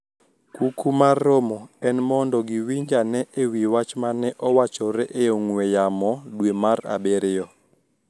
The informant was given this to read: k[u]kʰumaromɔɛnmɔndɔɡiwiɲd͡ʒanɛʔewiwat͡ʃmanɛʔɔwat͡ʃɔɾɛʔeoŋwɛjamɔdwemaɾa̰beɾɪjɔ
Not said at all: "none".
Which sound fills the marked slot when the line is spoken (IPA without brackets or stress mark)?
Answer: u